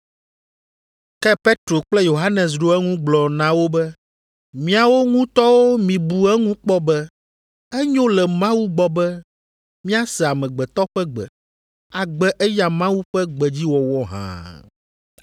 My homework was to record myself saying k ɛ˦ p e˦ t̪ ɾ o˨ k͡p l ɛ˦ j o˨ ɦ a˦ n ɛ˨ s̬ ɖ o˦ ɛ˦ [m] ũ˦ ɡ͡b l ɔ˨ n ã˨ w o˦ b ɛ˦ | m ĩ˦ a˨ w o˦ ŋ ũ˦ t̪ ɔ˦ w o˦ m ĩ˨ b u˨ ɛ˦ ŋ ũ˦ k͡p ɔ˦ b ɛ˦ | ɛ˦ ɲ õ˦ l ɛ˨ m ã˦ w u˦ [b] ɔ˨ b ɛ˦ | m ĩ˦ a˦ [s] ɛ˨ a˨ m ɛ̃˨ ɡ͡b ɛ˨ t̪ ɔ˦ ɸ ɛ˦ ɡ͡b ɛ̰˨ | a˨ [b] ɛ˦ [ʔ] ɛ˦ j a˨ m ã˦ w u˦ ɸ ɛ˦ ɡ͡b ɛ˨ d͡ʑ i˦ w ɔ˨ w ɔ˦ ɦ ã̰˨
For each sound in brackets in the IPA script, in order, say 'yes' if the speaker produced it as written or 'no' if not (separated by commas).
no, no, yes, no, yes